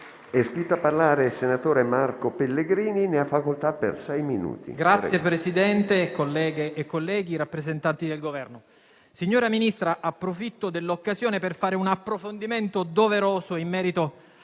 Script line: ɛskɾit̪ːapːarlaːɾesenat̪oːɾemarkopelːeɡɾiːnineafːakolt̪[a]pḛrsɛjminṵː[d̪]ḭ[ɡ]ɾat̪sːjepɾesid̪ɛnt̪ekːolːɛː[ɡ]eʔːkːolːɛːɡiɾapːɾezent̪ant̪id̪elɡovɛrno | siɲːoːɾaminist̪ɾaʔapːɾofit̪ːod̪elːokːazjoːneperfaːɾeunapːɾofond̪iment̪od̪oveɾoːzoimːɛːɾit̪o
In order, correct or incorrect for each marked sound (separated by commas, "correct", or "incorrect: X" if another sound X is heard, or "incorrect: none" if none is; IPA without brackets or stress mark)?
correct, incorrect: t̪, correct, correct